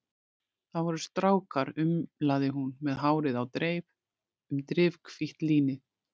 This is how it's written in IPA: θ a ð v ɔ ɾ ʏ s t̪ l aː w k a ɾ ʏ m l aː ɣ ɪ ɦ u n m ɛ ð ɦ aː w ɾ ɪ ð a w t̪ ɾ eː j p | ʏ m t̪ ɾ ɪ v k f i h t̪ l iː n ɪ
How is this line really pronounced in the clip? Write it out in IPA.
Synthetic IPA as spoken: θ a ð v ɔ ɾ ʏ s t̪ ɾ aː w k a ɾ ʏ m l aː ð ɪ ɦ u n m ɛ ð ɦ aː w ɾ ɪ ð a w t̪ ɾ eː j p | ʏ m t̪ ɾ ɪ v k f i h t̪ l iː n ɪ